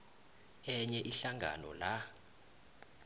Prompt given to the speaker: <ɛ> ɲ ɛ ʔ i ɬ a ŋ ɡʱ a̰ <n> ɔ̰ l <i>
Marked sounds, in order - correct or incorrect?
correct, correct, incorrect

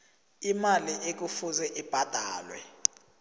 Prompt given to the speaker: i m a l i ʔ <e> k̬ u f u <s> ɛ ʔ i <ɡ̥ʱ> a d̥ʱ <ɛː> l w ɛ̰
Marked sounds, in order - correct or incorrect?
correct, incorrect, incorrect, incorrect

